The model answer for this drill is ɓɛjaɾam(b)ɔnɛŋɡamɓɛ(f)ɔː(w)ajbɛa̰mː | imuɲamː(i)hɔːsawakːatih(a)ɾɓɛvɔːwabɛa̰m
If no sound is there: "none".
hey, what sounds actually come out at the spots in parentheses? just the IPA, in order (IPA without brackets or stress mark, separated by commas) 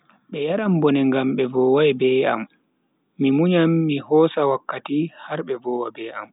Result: b, v, w, i, a